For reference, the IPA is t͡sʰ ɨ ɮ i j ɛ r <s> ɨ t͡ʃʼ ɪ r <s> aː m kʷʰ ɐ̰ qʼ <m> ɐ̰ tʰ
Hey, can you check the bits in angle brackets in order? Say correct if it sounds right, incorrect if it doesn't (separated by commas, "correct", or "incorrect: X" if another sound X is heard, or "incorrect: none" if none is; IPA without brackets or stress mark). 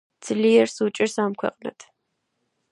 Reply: correct, correct, incorrect: n